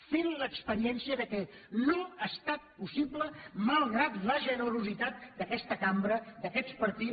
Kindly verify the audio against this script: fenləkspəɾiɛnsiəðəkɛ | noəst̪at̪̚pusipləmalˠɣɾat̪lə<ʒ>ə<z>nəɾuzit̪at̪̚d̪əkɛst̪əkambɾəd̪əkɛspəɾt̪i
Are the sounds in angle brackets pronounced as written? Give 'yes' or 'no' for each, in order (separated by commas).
yes, no